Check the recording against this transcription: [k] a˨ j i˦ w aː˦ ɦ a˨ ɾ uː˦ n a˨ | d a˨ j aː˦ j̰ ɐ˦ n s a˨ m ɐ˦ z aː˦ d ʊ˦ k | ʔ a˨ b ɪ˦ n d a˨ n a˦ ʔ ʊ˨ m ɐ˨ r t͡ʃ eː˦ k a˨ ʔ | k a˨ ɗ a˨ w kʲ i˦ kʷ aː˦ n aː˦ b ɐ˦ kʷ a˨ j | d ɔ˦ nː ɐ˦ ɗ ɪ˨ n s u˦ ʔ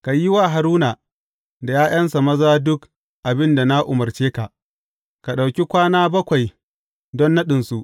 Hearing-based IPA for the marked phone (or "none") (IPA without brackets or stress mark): k